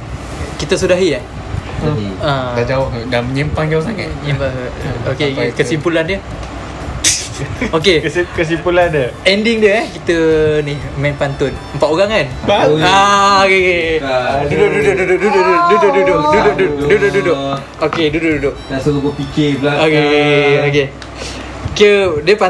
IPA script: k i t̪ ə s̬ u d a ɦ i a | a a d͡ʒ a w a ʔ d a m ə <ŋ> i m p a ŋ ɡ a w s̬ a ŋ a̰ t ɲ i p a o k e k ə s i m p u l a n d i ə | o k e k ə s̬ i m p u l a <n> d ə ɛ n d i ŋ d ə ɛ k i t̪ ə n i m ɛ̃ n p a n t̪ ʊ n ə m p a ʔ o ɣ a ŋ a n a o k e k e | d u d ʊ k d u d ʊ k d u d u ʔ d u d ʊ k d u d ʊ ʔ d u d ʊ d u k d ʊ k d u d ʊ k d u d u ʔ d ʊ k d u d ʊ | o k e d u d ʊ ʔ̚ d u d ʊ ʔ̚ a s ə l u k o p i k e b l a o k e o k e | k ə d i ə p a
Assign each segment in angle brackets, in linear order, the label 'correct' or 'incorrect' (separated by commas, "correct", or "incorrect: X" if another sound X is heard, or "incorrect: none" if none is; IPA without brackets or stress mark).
incorrect: ɲ, correct